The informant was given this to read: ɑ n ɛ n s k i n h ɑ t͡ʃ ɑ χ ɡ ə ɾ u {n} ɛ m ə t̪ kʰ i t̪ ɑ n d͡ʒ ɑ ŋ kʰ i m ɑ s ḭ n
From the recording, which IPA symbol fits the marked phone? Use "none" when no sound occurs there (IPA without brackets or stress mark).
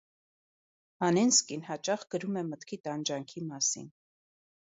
m